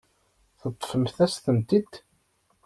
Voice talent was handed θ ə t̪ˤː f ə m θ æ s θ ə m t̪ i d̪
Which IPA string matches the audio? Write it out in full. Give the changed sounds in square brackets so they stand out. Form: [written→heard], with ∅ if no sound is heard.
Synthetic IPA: θ ə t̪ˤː f ə m θ æ s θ ə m t̪ i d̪